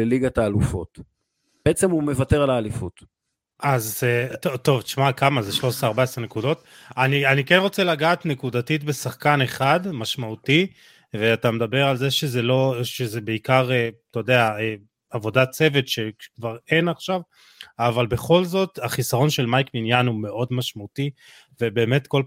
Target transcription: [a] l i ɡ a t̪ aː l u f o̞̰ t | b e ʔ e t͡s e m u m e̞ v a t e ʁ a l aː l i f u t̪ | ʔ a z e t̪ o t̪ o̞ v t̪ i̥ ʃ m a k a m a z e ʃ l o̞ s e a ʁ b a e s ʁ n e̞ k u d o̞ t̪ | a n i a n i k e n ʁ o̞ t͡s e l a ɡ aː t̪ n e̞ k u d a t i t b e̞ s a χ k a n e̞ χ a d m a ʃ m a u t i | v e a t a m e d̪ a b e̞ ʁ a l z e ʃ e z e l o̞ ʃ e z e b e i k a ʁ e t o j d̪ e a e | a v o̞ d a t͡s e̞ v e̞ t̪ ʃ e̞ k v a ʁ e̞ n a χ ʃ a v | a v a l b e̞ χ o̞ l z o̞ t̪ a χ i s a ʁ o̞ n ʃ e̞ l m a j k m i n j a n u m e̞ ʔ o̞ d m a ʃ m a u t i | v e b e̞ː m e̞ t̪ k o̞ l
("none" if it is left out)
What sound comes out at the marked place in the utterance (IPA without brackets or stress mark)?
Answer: e